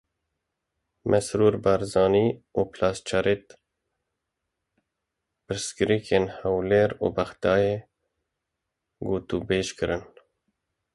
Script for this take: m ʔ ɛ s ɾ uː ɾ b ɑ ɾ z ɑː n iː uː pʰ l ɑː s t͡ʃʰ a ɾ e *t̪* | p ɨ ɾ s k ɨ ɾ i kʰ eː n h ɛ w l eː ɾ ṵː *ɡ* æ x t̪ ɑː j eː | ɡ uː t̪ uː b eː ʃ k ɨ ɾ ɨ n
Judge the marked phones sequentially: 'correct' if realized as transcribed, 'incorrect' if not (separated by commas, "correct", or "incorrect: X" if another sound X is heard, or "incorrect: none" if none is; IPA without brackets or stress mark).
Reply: correct, incorrect: b